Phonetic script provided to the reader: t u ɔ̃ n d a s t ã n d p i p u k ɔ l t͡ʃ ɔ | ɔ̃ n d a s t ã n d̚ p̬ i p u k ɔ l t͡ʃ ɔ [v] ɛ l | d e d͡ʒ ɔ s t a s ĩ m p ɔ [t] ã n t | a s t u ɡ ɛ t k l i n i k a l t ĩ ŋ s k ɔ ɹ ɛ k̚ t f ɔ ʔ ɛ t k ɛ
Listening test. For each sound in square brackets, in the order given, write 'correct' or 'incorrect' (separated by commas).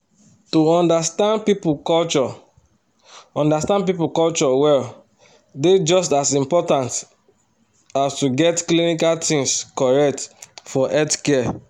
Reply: incorrect, correct